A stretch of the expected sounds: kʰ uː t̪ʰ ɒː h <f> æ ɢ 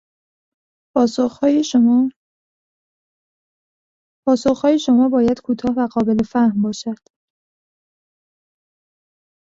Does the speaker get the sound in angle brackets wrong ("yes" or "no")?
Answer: yes